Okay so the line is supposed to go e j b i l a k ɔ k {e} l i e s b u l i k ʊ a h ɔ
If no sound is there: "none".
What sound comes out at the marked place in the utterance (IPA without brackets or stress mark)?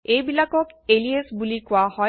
e